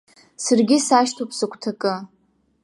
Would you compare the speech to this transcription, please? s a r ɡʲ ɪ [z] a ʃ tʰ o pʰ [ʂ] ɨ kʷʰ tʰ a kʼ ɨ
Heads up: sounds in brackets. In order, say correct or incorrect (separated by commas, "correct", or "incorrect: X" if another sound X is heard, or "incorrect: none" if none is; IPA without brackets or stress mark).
incorrect: s, incorrect: s